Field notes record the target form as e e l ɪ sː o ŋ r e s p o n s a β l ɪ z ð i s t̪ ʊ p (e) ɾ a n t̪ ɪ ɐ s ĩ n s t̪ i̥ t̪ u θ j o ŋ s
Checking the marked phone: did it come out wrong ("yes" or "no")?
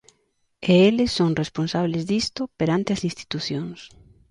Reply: no